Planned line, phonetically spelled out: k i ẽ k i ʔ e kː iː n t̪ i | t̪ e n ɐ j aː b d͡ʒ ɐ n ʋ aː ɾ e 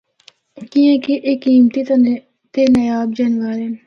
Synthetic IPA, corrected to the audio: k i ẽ k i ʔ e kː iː m t̪ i | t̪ e n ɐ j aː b d͡ʒ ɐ n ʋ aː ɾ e

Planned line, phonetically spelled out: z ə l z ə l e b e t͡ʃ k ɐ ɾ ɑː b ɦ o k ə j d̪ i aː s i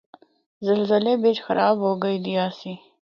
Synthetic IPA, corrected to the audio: z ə l z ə l e b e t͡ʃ x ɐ ɾ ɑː b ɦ o ɡ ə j d̪ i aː s i

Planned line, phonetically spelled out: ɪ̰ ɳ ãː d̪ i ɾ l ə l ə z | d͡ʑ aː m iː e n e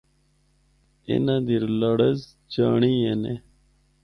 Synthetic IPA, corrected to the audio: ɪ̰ n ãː d̪ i ɾ l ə ɽ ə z | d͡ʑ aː ɳ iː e n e

